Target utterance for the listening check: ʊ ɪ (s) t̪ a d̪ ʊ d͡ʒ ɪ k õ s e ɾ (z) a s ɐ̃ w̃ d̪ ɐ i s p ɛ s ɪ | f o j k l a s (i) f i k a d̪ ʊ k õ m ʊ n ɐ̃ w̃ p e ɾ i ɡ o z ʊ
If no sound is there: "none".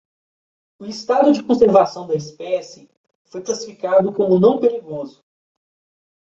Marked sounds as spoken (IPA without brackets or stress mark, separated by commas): s, v, i